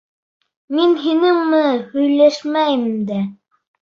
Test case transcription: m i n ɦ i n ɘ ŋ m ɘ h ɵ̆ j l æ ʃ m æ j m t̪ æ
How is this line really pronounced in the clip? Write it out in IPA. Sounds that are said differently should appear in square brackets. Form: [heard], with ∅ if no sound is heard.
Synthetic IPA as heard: m i n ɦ i n ɘ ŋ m ɘ h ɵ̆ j l æ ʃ m æ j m [d̪] æ

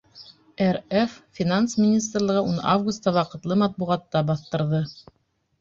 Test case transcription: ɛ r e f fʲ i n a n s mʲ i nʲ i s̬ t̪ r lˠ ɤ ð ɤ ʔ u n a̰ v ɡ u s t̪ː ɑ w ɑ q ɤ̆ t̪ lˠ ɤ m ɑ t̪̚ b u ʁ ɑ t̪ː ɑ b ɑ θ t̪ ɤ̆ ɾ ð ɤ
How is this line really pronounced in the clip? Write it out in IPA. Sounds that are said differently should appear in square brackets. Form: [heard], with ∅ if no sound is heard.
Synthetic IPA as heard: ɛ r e f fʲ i n a n s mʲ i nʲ i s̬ t̪ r lˠ ɤ [ʁ] ɤ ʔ u n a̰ v ɡ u s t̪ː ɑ w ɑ q ɤ̆ t̪ lˠ ɤ m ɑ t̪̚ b u ʁ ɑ t̪ː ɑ b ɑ θ t̪ ɤ̆ ɾ ð ɤ

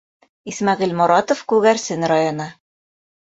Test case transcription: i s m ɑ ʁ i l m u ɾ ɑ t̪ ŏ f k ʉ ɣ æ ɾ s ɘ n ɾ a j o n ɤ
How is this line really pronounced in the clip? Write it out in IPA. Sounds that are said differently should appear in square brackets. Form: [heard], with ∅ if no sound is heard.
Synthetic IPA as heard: i s m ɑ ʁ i l m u ɾ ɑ t̪ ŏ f k ʉ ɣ æ ɾ s ɘ n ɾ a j o n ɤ

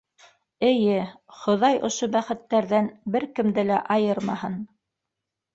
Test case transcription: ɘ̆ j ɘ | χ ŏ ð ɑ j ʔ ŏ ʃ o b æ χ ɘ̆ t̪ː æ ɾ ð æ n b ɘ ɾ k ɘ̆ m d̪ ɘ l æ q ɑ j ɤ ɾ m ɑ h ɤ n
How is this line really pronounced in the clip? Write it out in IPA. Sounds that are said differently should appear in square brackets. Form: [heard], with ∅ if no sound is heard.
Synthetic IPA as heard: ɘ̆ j ɘ | χ ŏ ð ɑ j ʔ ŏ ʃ o b æ χ ɘ̆ t̪ː æ ɾ ð æ n b ɘ ɾ k ɘ̆ m d̪ ɘ l æ [ʔ] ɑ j ɤ ɾ m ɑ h ɤ n

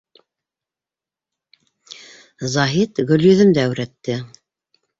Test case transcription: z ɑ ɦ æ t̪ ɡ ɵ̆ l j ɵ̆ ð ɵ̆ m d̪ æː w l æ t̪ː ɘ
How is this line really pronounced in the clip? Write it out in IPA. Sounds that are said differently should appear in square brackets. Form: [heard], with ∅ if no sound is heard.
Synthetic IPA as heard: z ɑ ɦ [i] t̪ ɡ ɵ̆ l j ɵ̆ ð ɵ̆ m d̪ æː w [ɾ] æ t̪ː ɘ

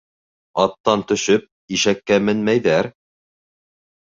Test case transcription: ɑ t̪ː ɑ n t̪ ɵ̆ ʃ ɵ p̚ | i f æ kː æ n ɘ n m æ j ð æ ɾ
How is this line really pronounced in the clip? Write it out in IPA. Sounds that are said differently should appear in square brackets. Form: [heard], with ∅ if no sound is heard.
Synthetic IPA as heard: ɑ t̪ː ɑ n t̪ ɵ̆ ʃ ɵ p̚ | i [ʃ] æ kː æ [m] ɘ n m æ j ð æ ɾ

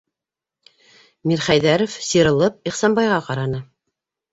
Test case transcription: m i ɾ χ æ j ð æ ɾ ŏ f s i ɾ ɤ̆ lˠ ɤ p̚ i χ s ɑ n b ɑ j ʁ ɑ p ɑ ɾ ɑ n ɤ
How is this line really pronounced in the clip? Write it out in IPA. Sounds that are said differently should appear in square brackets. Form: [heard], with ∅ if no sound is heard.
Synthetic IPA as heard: m i ɾ χ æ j ð æ ɾ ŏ f s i ɾ ɤ̆ lˠ ɤ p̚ i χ s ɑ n b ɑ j ʁ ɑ [q] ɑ ɾ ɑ n ɤ

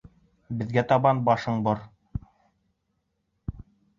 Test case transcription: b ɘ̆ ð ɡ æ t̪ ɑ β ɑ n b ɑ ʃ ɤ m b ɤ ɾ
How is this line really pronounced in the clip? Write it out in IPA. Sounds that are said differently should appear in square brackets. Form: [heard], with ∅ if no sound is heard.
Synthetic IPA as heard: b ɘ̆ ð ɡ æ t̪ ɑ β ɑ n b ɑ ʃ ɤ [ɴ] b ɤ ɾ

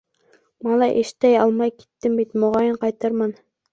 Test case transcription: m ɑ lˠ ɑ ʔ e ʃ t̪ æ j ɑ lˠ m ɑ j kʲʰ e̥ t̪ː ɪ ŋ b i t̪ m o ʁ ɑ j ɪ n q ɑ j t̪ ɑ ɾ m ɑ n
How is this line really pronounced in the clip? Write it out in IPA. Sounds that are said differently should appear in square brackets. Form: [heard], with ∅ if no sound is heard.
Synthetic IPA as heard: m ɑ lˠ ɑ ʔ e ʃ t̪ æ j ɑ lˠ m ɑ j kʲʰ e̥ t̪ː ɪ [m] b i t̪ m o ʁ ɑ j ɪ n q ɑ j t̪ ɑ ɾ m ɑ n

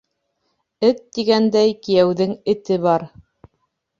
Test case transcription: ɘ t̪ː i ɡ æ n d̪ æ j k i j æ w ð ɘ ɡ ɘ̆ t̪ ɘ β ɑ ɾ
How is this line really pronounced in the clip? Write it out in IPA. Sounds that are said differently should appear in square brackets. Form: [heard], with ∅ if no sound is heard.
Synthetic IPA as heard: ɘ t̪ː i ɡ æ n d̪ æ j k i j æ w ð ɘ [ŋ] ɘ̆ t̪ ɘ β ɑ ɾ

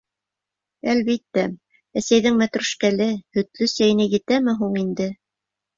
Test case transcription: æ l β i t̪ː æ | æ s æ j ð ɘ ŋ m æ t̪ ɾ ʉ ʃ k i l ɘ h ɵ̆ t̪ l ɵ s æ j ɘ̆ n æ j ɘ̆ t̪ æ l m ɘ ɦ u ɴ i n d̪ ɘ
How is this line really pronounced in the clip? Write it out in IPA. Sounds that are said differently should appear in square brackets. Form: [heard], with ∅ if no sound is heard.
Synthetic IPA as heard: æ l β i t̪ː æ | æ s æ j ð ɘ ŋ m æ t̪ ɾ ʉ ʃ k [æ] l ɘ h ɵ̆ t̪ l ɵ s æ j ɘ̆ n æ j ɘ̆ t̪ æ [∅] m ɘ ɦ u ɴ i n d̪ ɘ

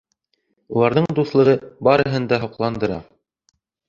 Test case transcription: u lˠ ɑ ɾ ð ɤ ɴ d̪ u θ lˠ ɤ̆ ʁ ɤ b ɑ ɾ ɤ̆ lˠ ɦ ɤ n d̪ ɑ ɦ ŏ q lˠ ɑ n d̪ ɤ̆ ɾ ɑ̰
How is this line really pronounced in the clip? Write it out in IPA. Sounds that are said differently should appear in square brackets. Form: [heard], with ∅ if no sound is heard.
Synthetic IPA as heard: u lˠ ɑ ɾ ð ɤ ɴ d̪ u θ lˠ ɤ̆ ʁ ɤ b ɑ ɾ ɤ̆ [∅] ɦ ɤ n d̪ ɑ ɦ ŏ q lˠ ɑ n d̪ ɤ̆ ɾ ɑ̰

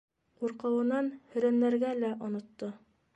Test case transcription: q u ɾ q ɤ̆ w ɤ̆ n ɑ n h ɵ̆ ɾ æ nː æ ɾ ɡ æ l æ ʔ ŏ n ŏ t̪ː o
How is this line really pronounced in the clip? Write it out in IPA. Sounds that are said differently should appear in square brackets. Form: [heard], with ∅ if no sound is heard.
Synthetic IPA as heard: q u ɾ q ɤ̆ w ɤ̆ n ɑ n h ɵ̆ ɾ æ nː æ ɾ ɡ æ l æ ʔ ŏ n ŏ t̪ː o

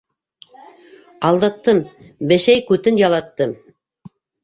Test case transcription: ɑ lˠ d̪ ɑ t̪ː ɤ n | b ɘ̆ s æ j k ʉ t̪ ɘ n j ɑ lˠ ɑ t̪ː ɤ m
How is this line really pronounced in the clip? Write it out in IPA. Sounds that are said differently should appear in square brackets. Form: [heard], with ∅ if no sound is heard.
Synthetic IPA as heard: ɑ lˠ d̪ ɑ t̪ː ɤ [m] | b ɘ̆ [ʃ] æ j k ʉ t̪ ɘ n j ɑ lˠ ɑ t̪ː ɤ m

